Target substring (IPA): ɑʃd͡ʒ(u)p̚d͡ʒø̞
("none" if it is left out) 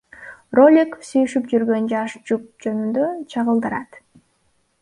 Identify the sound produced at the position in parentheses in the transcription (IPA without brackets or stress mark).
u